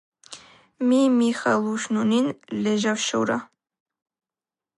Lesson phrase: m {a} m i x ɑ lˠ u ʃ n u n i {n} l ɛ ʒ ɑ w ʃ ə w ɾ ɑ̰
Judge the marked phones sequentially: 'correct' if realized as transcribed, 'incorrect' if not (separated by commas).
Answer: incorrect, correct